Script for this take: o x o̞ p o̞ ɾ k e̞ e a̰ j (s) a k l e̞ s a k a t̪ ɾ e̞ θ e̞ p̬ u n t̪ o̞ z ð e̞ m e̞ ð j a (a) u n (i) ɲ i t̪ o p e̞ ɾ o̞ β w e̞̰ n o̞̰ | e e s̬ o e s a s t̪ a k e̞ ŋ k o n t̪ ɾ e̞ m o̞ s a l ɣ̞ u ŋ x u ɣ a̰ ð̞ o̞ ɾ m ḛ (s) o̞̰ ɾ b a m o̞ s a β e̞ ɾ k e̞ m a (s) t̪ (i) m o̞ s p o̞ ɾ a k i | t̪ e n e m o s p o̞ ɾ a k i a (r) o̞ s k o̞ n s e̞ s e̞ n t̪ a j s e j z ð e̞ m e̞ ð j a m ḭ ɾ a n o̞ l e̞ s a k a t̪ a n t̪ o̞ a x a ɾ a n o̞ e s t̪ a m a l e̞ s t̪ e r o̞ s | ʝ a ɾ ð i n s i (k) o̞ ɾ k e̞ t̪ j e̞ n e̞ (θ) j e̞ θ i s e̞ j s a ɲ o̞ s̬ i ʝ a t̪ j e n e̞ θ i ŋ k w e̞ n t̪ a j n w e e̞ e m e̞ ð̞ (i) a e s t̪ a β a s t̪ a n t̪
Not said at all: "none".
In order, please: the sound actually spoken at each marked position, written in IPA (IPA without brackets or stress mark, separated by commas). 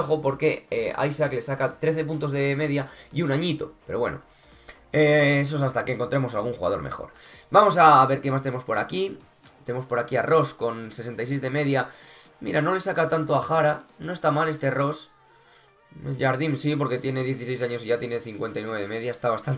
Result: s, i, a, x, s, e, r, p, ð, j